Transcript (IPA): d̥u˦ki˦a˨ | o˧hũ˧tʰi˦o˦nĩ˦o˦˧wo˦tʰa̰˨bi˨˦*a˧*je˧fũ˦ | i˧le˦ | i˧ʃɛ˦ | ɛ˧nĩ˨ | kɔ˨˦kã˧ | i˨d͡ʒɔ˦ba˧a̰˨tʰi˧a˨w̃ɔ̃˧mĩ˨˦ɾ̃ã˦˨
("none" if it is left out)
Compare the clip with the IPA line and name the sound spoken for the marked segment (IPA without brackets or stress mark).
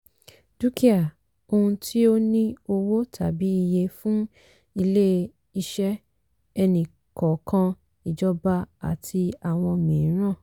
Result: i˧